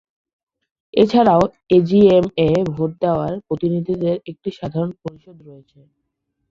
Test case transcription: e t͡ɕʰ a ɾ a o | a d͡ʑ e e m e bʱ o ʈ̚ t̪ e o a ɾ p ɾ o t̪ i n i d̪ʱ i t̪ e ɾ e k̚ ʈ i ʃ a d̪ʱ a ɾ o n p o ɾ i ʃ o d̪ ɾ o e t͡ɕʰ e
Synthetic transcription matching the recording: e t͡ɕʰ a ɾ a o | e d͡ʑ i e m e bʱ o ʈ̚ d̪ e o a ɾ p ɾ o t̪ i n i d̪ʱ i d̪ e ɾ e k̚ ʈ i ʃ a d̪ʱ a ɾ o n p o ɾ i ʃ o d̪ ɾ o e t͡ɕʰ e